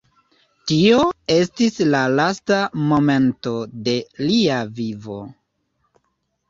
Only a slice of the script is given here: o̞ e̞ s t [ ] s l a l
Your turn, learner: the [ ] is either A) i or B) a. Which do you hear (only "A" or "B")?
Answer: A